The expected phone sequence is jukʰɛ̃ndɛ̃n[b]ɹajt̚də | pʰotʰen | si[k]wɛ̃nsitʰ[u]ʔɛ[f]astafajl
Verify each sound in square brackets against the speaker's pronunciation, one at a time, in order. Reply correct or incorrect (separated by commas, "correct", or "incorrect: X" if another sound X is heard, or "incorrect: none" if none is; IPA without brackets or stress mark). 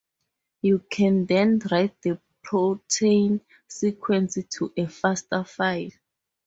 incorrect: d, incorrect: kʰ, correct, correct